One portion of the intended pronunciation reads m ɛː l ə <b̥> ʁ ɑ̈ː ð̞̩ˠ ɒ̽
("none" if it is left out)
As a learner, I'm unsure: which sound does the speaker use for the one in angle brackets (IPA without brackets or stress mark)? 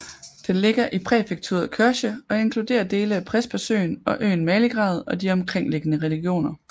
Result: ɡ̥